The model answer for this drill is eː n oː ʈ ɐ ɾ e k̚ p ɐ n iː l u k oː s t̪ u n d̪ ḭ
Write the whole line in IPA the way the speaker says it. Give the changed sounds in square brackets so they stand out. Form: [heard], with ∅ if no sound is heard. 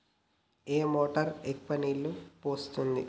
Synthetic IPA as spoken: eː [m] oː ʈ ɐ ɾ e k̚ p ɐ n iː l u [p] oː s t̪ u n d̪ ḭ